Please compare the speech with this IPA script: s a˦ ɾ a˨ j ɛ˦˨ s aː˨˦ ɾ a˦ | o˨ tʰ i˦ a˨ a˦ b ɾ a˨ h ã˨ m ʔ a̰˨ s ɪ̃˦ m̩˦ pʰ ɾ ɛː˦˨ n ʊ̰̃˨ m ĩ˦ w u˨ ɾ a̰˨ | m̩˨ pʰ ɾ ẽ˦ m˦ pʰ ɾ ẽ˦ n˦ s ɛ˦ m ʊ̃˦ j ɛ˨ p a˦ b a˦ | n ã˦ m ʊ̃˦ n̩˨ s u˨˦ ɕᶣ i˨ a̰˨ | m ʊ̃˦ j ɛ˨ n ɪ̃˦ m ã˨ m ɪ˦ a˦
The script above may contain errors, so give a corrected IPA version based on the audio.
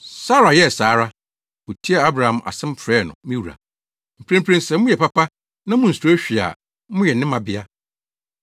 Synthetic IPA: s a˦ ɾ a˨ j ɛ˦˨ s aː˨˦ ɾ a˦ | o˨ tʰ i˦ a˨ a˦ b ɾ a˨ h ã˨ m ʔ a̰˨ s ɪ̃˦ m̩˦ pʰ ɾ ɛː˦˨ n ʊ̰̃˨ m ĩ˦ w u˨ ɾ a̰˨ | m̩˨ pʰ ɾ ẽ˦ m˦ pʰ ɾ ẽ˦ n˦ s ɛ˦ m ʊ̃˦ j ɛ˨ p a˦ p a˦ | n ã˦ m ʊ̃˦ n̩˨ s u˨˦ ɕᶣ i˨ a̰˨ | m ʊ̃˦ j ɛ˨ n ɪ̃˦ m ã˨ b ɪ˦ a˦